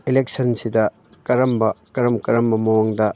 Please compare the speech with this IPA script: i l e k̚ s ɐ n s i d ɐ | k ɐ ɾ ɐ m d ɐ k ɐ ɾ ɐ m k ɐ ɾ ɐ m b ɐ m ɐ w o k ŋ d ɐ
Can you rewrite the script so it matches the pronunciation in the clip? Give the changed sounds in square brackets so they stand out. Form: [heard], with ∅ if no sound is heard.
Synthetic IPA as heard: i l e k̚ s ɐ n s i d ɐ | k ɐ ɾ ɐ m [b] ɐ k ɐ ɾ ɐ m k ɐ ɾ ɐ m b ɐ m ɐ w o [∅] ŋ d ɐ